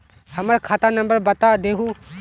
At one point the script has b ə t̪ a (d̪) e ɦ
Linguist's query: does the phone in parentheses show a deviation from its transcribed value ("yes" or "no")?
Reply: no